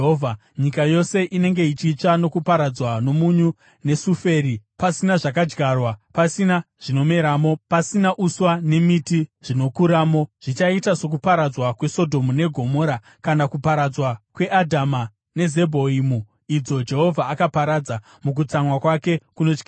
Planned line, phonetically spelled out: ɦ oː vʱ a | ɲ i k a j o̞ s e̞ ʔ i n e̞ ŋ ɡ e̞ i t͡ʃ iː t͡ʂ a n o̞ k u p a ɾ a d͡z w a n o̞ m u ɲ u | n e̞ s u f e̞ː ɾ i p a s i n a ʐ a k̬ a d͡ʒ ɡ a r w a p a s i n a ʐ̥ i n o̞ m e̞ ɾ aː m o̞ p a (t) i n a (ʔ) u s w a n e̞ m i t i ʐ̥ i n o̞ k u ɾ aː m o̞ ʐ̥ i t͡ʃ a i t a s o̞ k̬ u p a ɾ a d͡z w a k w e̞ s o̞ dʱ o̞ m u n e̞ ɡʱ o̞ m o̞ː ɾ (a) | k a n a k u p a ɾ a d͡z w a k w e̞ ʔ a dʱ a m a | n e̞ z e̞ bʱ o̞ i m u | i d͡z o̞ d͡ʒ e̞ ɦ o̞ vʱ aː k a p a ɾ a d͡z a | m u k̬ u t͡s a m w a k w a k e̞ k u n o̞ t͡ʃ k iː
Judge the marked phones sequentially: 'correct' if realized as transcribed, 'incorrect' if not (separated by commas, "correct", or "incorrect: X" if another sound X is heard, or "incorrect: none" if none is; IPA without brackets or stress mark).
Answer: incorrect: s, correct, correct